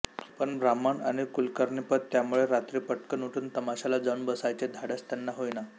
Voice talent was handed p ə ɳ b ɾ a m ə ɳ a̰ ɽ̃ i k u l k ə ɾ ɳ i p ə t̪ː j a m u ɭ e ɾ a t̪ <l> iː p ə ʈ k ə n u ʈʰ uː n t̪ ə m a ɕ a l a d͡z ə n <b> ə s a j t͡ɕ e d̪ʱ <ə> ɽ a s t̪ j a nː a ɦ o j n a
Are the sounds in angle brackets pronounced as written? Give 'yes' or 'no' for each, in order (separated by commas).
no, yes, no